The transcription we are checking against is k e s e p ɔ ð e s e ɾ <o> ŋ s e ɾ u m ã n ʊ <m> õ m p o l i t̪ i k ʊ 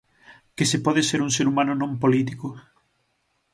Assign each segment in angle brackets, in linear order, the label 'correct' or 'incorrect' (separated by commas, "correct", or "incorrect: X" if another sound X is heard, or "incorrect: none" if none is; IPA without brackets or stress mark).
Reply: incorrect: u, incorrect: n